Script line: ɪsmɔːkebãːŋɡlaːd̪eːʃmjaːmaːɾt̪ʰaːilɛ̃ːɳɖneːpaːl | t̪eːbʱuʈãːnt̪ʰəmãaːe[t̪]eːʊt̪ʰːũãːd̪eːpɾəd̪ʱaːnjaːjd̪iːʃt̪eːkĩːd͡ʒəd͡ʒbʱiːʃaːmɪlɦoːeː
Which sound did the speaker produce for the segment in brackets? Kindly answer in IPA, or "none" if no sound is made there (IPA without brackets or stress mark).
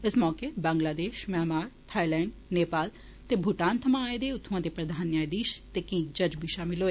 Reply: d̪